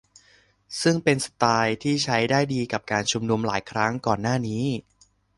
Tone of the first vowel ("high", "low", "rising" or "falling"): falling